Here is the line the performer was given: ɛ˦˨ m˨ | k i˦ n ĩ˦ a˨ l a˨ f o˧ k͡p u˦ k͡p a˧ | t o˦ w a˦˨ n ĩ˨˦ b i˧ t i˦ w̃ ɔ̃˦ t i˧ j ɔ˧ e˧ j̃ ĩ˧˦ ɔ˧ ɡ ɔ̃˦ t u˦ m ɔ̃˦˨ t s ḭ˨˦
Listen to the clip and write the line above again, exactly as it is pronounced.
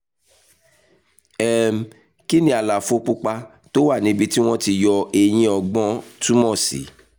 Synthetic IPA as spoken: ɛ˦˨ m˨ | k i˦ n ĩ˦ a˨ l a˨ f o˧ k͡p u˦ k͡p a˧ | t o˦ w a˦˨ n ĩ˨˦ b i˧ t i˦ w̃ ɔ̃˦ t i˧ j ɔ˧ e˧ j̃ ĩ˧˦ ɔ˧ ɡ͡b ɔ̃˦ t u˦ m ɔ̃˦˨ s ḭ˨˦

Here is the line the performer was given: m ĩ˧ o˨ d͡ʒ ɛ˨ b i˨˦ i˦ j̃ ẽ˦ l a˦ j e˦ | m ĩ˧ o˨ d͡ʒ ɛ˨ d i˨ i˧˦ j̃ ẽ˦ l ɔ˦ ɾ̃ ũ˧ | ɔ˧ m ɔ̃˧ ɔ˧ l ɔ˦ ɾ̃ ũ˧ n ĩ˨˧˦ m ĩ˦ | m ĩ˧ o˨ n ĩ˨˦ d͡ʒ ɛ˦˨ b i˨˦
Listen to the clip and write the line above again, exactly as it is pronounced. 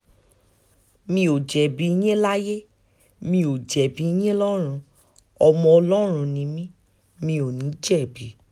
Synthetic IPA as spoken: m ĩ˧ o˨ d͡ʒ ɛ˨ b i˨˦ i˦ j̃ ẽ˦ l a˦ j e˦ | m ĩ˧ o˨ d͡ʒ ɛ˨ b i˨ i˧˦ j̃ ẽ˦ l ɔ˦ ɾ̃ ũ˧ | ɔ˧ m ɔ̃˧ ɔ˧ l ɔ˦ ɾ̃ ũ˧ n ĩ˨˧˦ m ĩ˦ | m ĩ˧ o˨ n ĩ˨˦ d͡ʒ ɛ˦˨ b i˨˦

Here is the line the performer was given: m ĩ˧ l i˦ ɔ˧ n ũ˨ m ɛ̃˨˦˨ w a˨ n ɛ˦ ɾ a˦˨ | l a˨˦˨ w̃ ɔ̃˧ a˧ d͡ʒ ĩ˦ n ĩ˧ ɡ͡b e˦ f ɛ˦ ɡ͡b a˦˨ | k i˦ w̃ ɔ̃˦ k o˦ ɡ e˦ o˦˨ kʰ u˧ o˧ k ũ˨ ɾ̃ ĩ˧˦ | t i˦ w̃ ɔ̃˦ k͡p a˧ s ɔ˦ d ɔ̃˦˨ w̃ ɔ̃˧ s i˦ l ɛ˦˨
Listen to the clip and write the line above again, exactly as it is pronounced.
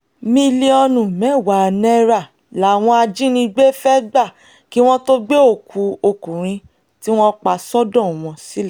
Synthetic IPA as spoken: m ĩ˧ l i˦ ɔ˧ n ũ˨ m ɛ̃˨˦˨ w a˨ n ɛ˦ ɾ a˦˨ | l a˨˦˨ w̃ ɔ̃˧ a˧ d͡ʒ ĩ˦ n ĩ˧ ɡ͡b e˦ f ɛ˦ ɡ͡b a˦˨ | k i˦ w̃ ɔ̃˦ t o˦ ɡ͡b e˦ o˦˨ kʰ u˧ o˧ k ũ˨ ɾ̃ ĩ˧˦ | t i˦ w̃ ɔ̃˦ k͡p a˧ s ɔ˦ d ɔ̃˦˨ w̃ ɔ̃˧ s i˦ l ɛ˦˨

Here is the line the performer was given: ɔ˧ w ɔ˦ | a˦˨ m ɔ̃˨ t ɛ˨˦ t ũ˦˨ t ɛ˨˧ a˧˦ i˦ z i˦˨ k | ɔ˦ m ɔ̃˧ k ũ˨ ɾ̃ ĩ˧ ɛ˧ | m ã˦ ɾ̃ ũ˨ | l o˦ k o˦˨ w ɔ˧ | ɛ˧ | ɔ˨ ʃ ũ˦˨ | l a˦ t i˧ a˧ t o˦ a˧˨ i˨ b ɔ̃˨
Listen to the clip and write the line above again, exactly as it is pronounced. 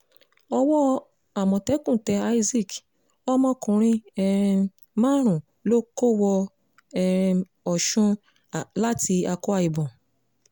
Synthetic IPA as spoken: ɔ˧ w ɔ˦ | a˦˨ m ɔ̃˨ t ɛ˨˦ k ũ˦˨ t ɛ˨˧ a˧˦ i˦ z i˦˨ k | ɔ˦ m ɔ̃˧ k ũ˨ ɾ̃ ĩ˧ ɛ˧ | m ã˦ ɾ̃ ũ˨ | l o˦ k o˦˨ w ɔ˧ | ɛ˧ | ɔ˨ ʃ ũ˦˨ | l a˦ t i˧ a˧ k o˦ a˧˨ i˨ b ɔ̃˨

